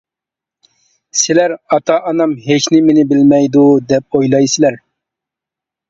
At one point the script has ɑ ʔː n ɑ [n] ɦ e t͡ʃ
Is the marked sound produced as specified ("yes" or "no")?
no